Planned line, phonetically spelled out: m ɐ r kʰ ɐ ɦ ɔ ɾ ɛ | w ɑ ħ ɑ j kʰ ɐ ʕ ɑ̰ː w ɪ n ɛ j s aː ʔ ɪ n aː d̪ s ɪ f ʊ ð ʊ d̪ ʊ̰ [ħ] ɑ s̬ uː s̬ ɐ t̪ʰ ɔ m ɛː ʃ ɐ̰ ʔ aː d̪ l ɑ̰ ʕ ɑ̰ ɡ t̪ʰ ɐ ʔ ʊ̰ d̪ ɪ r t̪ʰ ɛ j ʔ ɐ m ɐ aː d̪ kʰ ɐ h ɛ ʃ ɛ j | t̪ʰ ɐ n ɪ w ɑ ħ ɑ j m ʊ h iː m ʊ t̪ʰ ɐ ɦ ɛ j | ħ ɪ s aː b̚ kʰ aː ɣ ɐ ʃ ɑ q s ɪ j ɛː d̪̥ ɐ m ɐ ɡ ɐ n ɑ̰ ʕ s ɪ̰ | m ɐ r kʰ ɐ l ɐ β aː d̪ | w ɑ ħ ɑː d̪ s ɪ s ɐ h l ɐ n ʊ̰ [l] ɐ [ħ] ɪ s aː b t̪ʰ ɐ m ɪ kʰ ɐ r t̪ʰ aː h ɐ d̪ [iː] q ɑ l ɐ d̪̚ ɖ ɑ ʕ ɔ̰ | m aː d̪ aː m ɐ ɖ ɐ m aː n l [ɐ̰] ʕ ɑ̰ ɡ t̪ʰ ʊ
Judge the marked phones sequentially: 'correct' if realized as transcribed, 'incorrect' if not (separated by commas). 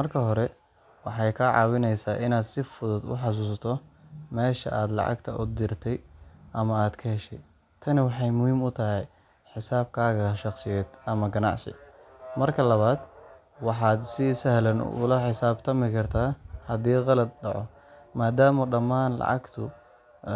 correct, correct, correct, correct, incorrect